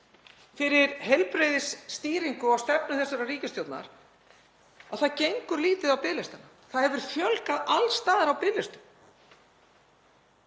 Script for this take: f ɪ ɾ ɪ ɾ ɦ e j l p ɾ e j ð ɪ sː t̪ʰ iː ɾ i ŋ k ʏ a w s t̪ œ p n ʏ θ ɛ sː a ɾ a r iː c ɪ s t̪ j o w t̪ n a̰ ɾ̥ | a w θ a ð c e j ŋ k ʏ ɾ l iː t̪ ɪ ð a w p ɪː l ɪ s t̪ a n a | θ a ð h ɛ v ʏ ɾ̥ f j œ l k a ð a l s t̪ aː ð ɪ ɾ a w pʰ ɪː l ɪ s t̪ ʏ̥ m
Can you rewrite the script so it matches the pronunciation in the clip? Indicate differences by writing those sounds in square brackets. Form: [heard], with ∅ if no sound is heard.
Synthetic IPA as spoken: f ɪ ɾ ɪ ɾ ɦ e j l p ɾ e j ð ɪ sː [t̪] iː ɾ i ŋ k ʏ a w s t̪ [ɛ] p n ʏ θ ɛ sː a ɾ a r iː c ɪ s t̪ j o w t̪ n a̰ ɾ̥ | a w θ a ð c e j ŋ k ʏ ɾ l iː t̪ ɪ ð a w p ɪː l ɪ s t̪ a n a | θ a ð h ɛ v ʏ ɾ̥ f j œ l k a ð a l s t̪ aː ð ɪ ɾ a w [p] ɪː l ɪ s t̪ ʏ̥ m